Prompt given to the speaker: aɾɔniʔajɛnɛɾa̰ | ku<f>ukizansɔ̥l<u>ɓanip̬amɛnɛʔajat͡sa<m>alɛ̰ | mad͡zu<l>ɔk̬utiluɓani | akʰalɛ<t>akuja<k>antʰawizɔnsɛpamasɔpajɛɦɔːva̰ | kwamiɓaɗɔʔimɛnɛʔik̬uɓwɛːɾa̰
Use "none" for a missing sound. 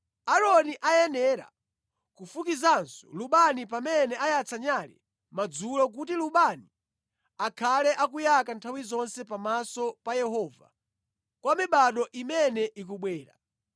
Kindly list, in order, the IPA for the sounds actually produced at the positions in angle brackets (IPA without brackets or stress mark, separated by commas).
f, u, ɲ, l, ʔ, k